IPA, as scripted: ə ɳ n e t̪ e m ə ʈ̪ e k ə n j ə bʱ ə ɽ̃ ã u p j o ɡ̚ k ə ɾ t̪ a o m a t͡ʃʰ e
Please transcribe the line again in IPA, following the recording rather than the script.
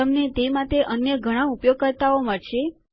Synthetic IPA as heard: ə m n e t̪ e m a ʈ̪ e ʔ ə n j ə ɡʱ ə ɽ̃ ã u p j o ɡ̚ k ə ɾ t̪ a o m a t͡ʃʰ e

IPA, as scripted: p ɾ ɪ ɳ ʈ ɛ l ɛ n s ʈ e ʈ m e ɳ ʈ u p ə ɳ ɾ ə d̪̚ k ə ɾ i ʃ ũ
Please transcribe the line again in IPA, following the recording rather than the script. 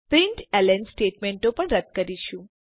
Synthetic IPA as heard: p ɾ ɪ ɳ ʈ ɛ l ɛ n s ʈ e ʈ m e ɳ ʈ o p ə ɳ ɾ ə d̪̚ k ə ɾ i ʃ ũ

